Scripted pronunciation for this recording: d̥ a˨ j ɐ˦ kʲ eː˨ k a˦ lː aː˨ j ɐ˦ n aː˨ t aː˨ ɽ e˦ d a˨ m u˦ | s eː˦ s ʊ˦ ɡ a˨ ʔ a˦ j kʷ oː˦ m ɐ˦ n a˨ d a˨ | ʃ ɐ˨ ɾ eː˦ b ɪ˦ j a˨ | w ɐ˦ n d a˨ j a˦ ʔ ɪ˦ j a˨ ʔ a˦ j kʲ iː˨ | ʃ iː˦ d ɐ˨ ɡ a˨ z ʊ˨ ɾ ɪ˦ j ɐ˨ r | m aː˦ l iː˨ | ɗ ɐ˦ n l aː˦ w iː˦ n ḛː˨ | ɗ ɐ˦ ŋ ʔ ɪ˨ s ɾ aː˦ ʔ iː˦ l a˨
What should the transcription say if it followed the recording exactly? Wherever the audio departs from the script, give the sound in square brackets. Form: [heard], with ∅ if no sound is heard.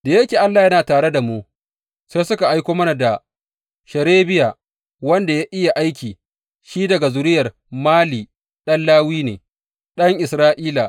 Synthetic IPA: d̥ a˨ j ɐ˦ kʲ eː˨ [ʔ] a˦ lː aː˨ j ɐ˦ n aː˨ t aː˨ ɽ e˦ d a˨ m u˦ | s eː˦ s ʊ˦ [k] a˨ ʔ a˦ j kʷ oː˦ m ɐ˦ n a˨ d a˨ | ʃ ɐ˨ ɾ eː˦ b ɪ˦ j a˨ | w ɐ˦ n d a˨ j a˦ ʔ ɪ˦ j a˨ ʔ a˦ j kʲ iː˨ | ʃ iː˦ d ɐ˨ ɡ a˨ z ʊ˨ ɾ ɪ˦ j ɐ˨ r | m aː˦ l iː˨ | ɗ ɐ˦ n l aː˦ w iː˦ n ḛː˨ | ɗ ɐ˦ ŋ ʔ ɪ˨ s ɾ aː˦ ʔ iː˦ l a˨